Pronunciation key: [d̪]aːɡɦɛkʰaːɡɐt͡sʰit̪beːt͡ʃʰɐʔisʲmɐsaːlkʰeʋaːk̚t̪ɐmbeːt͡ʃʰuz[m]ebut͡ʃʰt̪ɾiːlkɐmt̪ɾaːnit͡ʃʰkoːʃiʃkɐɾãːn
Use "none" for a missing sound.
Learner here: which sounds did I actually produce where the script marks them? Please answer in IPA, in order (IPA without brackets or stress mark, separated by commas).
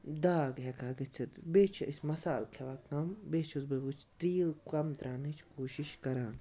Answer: d̪, b